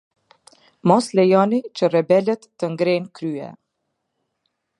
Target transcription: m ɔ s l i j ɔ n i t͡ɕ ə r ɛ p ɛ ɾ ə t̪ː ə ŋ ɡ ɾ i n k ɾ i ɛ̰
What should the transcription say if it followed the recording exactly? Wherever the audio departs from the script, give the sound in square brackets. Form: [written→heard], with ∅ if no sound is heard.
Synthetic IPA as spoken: m ɔ s l [i→ɛ] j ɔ n i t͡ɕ ə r ɛ [p→b] ɛ [ɾ→l] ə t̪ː ə ŋ ɡ ɾ [i→ɛ] n k ɾ [i→y] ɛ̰